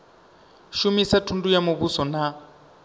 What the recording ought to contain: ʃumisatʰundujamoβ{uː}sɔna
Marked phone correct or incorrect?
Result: incorrect